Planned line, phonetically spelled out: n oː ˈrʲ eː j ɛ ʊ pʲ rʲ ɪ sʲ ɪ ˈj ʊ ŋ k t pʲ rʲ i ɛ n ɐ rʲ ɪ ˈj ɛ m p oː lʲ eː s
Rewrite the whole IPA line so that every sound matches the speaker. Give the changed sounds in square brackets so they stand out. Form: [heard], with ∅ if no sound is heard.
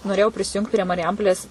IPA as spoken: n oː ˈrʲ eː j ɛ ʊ pʲ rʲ ɪ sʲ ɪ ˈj ʊ ŋ k t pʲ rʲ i ɛ [m] ɐ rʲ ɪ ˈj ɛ m p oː lʲ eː s

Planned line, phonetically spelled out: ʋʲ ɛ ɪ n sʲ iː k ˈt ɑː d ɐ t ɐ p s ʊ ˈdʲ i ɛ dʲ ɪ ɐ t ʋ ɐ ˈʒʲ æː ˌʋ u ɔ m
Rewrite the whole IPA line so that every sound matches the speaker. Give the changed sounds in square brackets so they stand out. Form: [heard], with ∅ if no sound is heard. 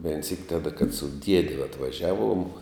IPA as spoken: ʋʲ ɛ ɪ n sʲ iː k ˈt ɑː d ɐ [k] ɐ [t] s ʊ ˈdʲ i ɛ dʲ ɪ ɐ t ʋ ɐ ˈʒʲ æː ˌʋ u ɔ m

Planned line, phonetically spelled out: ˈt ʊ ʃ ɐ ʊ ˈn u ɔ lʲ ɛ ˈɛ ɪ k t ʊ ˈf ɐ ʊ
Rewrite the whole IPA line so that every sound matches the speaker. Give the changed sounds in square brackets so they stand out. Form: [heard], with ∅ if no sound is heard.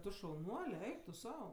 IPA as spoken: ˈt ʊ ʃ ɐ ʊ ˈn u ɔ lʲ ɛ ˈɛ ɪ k t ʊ [ˈs] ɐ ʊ

